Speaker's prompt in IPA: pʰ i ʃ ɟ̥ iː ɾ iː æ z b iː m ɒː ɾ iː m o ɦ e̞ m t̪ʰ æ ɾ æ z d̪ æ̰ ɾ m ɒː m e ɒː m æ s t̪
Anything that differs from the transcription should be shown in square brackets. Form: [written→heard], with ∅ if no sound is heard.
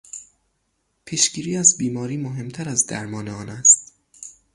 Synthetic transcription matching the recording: pʰ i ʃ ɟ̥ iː ɾ iː æ z b iː m ɒː ɾ iː m o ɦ e̞ m t̪ʰ æ ɾ æ z d̪ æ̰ ɾ m ɒː [m→n] e ɒː [m→n] æ s t̪

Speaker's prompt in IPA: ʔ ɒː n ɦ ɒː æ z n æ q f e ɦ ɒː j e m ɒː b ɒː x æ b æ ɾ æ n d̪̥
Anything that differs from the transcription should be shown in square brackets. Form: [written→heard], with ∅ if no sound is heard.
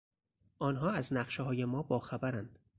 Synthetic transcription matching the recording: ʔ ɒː n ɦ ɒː æ z n æ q [f→ʃ] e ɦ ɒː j e m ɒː b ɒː x æ b æ ɾ æ n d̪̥

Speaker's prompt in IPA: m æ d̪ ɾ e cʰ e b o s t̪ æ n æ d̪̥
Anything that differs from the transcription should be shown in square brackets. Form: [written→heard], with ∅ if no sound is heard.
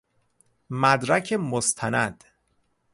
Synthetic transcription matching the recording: m æ d̪ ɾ [e→æ] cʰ e [b→m] o s [t̪→t̪ʰ] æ n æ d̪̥

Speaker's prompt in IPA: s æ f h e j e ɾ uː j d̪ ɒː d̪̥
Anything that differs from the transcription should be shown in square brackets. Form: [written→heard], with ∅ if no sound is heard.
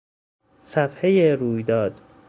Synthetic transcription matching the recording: s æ f h e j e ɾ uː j d̪ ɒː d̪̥

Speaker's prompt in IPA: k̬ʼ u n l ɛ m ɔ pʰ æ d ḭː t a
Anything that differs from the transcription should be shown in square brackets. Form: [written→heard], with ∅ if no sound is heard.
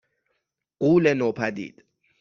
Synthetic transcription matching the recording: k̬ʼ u [n→∅] l ɛ [m→n] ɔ pʰ [æ→a] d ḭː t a

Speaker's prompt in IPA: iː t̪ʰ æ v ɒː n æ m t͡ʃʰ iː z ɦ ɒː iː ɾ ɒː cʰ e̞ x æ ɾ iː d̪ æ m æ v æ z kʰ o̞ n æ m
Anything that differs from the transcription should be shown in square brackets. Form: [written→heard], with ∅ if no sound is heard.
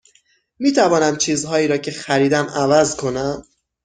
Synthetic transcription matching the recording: iː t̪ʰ æ v ɒː n æ m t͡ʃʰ iː z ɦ ɒː iː ɾ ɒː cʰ e̞ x æ ɾ iː d̪ æ m æ v æ z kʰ o̞ n æ m

